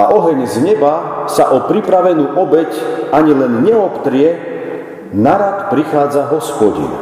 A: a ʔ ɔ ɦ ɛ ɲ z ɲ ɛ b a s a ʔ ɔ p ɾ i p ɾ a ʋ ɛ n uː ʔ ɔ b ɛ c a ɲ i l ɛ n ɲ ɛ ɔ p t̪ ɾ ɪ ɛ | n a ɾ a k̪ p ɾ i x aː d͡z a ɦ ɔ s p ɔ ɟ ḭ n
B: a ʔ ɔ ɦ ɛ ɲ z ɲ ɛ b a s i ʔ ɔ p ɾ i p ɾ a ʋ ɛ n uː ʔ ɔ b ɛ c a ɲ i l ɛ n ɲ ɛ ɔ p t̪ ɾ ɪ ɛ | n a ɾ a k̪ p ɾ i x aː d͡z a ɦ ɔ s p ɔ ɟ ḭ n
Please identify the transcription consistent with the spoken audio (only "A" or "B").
A